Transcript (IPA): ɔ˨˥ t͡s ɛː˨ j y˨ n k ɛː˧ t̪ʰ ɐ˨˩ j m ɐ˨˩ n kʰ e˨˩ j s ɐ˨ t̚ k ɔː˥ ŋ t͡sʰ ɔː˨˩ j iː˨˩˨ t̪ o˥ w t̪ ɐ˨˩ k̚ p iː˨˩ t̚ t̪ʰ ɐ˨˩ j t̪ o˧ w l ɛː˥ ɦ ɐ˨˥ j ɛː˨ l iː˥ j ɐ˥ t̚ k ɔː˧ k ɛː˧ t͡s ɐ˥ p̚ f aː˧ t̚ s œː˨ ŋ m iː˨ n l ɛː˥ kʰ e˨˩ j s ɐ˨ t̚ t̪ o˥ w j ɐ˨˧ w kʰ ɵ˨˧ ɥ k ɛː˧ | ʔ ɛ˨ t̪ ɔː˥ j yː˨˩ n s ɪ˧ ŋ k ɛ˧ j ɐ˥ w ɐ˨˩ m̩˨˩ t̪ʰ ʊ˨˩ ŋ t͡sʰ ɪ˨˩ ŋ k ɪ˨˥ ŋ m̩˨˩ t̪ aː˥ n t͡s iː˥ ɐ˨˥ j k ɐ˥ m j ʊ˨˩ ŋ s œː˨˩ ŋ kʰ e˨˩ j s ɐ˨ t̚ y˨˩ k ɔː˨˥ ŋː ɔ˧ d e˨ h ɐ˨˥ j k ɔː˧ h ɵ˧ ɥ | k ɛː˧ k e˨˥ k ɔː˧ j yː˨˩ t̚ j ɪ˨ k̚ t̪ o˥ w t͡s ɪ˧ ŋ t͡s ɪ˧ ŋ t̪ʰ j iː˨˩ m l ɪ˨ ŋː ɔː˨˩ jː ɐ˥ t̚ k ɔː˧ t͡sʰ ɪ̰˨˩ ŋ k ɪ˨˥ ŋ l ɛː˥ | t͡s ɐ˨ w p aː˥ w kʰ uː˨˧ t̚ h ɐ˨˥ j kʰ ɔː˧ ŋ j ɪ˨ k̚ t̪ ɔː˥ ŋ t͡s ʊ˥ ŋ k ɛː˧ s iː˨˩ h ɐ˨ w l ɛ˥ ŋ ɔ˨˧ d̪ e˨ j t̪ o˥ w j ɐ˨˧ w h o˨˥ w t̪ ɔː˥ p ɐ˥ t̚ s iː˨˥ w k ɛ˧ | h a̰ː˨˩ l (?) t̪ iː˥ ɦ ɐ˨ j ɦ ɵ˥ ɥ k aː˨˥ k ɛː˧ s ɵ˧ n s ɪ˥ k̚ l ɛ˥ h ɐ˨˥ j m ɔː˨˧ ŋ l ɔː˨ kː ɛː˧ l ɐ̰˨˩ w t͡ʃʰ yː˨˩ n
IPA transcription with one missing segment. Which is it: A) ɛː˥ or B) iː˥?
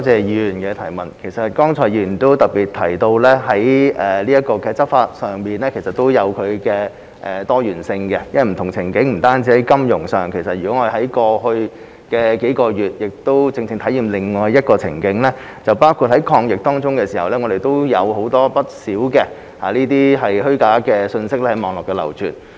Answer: B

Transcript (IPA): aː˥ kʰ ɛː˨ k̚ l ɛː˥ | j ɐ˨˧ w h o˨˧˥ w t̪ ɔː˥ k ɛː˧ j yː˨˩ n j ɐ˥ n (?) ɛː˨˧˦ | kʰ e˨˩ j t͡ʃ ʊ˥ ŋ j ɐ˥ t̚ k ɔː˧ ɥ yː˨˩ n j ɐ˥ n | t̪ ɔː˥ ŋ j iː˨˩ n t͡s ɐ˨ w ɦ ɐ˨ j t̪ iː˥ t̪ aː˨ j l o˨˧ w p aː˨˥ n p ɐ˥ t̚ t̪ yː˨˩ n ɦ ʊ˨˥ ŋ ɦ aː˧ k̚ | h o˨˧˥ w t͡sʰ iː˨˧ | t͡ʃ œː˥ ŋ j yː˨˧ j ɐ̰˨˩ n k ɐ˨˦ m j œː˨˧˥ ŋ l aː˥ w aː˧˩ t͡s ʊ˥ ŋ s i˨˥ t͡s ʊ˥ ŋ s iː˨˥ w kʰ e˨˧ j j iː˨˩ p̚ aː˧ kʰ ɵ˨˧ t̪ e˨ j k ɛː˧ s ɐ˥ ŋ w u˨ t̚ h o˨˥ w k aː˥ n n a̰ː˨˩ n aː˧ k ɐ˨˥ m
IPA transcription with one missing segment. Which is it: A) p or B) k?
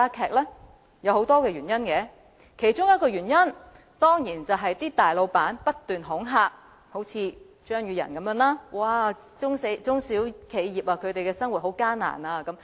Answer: B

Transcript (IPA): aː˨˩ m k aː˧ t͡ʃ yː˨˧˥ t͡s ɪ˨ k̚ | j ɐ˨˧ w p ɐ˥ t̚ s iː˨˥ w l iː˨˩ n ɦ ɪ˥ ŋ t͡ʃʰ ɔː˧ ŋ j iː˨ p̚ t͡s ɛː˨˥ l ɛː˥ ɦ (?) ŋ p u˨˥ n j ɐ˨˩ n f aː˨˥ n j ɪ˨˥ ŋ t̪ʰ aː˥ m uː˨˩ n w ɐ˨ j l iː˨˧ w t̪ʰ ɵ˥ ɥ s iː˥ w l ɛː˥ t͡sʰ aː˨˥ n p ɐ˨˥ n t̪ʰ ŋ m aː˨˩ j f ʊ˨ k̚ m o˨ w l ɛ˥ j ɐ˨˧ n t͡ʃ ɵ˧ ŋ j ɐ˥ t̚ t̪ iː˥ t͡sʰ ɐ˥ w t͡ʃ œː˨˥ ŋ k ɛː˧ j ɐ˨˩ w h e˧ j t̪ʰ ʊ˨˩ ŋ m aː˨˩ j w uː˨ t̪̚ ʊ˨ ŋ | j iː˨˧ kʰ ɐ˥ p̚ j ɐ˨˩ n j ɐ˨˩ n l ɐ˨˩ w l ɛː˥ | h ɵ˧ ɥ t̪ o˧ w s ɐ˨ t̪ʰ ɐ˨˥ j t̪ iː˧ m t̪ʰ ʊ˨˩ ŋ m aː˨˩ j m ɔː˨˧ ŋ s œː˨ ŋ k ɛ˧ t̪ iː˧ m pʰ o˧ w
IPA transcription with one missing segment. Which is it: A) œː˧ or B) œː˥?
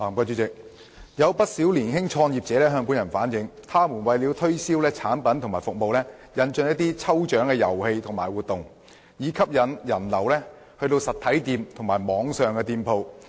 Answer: A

